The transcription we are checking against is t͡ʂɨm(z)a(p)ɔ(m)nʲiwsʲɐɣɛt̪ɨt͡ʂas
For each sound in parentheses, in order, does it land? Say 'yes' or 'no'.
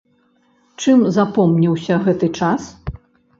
yes, yes, yes

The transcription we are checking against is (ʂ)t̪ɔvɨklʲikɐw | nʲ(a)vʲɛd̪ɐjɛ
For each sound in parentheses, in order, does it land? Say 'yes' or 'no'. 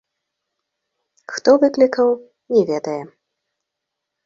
no, no

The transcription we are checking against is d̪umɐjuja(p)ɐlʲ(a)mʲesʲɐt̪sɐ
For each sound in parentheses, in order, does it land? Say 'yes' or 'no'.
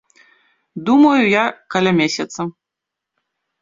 no, yes

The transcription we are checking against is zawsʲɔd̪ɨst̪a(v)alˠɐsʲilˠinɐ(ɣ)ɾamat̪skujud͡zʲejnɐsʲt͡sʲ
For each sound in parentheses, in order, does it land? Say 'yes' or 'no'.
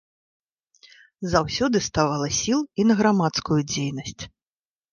yes, yes

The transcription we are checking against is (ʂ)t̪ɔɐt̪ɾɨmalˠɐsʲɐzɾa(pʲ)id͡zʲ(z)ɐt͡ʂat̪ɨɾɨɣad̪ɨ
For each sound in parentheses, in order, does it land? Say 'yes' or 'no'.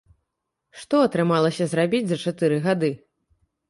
yes, no, yes

